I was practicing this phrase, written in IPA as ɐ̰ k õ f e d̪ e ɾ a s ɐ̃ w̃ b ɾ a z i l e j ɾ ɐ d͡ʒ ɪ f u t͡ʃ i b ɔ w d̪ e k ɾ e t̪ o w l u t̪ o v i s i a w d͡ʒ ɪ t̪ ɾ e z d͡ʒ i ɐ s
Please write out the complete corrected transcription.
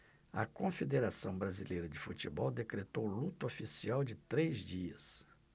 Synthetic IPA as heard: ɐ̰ k õ f e d̪ e ɾ a s ɐ̃ w̃ b ɾ a z i l e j ɾ ɐ d͡ʒ ɪ f u t͡ʃ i b ɔ w d̪ e k ɾ e t̪ o w l u t̪ o f i s i a w d͡ʒ ɪ t̪ ɾ e z d͡ʒ i ɐ s